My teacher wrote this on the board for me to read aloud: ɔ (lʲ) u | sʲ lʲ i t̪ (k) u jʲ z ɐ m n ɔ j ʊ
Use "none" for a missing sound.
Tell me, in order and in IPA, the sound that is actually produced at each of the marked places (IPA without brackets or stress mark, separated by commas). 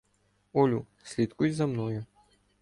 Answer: lʲ, k